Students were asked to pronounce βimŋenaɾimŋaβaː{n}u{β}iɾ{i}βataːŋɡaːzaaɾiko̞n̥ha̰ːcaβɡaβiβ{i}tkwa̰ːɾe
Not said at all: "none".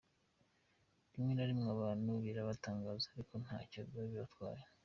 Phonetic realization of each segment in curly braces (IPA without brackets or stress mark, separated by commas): n, β, a, a